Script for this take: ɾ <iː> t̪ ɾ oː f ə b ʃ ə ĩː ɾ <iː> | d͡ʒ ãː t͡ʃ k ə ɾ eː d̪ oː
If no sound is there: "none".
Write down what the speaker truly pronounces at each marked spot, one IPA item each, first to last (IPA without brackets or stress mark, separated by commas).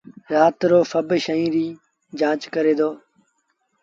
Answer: aː, iː